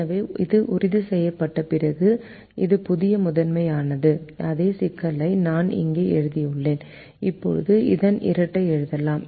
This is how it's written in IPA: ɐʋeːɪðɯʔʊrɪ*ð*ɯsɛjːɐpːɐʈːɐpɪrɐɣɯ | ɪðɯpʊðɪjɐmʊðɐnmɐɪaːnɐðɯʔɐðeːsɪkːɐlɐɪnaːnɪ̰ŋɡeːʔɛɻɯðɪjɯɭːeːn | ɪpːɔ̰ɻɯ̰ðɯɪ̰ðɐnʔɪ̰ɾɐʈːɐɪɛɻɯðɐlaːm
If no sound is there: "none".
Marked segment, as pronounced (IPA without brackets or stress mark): ð